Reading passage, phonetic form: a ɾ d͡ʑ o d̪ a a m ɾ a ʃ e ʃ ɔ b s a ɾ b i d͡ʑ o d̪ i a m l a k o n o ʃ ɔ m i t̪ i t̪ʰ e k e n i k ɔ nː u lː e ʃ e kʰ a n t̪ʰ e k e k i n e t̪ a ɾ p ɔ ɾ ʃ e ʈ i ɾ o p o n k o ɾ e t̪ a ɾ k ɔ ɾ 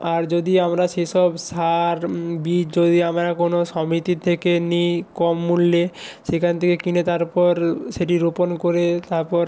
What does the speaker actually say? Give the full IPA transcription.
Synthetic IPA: a ɾ d͡ʑ o d̪ i a m ɾ a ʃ e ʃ ɔ b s a ɾ b i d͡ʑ o d̪ i a m ɾ a k o n o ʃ ɔ m i t̪ i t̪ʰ e k e n i k ɔ mː u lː e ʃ e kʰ a n t̪ʰ e k e k i n e t̪ a ɾ p ɔ ɾ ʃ e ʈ i ɾ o p o n k o ɾ e t̪ a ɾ p ɔ ɾ